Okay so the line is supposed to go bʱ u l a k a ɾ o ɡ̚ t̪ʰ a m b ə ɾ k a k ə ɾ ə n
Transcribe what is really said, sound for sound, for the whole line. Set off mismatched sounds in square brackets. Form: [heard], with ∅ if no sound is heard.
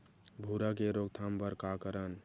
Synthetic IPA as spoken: bʱ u [ɾ] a k [e] ɾ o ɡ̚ t̪ʰ a m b ə ɾ k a k ə ɾ ə n

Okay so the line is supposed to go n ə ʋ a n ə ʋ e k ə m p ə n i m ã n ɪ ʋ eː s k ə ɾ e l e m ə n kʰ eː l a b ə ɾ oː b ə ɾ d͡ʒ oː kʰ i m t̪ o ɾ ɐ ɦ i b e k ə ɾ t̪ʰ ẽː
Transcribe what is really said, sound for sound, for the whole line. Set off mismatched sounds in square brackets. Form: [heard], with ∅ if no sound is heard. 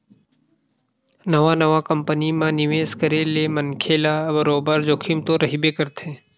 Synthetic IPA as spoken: n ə ʋ a n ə ʋ [a] k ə m p ə n i m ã n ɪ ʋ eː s k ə ɾ e l e m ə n kʰ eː l a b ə ɾ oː b ə ɾ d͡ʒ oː kʰ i m t̪ o ɾ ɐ ɦ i b e k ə ɾ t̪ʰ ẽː

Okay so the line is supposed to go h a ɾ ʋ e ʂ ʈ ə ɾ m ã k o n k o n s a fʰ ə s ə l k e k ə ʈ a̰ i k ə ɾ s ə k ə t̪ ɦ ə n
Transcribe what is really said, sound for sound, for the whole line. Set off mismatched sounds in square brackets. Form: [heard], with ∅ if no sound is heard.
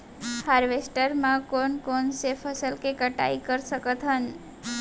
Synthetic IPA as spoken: h a ɾ ʋ e [s] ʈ ə ɾ m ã k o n k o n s [e] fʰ ə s ə l k e k ə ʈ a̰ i k ə ɾ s ə k ə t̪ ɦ ə n

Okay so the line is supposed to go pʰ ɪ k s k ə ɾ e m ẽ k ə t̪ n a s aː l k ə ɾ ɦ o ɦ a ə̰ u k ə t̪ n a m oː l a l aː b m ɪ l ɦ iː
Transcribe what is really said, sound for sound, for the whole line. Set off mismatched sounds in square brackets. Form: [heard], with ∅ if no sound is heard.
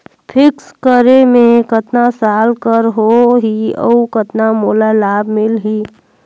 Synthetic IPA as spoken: pʰ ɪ k s k ə ɾ e m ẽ k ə t̪ n a s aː l k ə ɾ ɦ o ɦ [i] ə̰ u k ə t̪ n a m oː l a l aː b m ɪ l ɦ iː

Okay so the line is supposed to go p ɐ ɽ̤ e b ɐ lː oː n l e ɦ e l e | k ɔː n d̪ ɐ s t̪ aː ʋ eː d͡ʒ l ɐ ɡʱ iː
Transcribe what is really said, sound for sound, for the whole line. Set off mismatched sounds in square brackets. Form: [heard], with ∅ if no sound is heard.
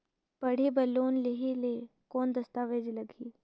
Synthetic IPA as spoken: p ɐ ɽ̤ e b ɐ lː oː n l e ɦ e l e | k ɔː n d̪ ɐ s t̪ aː ʋ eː d͡ʒ l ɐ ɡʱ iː

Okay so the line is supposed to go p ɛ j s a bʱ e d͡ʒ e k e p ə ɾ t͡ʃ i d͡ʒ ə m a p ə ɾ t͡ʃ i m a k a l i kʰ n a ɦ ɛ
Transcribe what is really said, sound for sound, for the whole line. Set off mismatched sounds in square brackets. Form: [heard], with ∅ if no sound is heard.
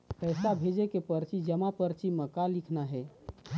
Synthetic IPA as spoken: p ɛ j s a bʱ e d͡ʒ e k e p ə ɾ t͡ʃ i d͡ʒ ə m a p ə ɾ t͡ʃ i m [ə] k a l i kʰ n a ɦ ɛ

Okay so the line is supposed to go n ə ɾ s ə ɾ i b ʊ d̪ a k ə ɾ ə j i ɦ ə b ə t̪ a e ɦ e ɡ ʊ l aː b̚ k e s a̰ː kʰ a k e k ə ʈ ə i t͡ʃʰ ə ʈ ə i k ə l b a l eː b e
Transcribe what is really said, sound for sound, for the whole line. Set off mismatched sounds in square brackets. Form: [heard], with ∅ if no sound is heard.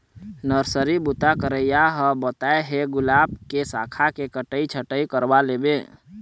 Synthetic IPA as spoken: n ə ɾ s ə ɾ i b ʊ [t̪] a k ə ɾ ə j [a] ɦ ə b ə t̪ a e ɦ e ɡ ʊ l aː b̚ k e s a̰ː kʰ a k e k ə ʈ ə i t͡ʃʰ ə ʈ ə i k ə [ɾ] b a l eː b e

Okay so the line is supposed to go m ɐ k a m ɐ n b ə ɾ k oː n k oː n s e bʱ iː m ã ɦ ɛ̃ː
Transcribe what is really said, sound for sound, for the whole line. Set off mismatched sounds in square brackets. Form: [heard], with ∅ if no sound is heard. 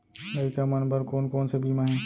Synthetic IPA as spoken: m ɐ k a m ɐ n b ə ɾ k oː n k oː n s e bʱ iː m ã ɦ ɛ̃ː

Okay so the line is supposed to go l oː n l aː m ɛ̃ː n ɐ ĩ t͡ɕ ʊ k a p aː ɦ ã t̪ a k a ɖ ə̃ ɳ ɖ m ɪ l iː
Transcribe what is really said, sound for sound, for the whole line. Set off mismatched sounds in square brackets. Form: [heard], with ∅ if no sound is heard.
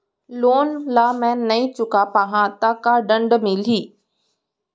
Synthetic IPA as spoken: l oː n l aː m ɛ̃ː n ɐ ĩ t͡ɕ ʊ k a p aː ɦ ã t̪ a k a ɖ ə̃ ɳ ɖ m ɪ l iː

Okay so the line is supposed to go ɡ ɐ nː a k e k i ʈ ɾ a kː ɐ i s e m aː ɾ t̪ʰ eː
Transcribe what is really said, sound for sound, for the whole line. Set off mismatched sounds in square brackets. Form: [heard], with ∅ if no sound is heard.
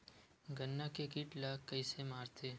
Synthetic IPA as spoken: ɡ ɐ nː a k e k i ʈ [l] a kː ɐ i s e m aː ɾ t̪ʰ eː

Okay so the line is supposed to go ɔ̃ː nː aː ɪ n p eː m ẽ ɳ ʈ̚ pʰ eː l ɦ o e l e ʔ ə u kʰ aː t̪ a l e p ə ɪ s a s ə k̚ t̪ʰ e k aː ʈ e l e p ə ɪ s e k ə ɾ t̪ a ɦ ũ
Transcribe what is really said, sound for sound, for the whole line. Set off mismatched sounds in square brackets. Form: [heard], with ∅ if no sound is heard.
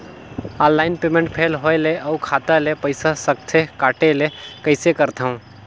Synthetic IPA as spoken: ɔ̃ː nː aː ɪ n p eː m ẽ ɳ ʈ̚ pʰ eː l ɦ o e l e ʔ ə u kʰ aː t̪ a l e p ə ɪ s a s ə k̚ t̪ʰ e k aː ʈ e l e [k] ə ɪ s e k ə ɾ t̪ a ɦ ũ

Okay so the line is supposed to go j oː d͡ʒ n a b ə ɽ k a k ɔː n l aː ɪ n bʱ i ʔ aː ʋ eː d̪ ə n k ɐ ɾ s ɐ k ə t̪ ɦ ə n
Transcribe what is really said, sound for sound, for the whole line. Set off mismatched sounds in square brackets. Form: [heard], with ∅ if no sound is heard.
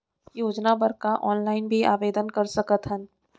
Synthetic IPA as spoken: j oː d͡ʒ n a b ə [ɾ] k a [ʔ] ɔː n l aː ɪ n bʱ i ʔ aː ʋ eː d̪ ə n k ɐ ɾ s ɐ k ə t̪ ɦ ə n

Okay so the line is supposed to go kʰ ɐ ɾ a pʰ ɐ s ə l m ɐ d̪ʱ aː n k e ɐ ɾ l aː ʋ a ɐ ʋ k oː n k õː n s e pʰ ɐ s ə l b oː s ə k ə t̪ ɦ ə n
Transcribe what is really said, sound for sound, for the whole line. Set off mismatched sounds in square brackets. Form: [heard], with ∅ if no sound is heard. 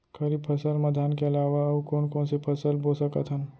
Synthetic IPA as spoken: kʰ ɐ ɾ [i] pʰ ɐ s ə l m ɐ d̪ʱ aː n k e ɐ [∅] l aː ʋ a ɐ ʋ k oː n k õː n s e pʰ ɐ s ə l b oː s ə k ə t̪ ɦ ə n

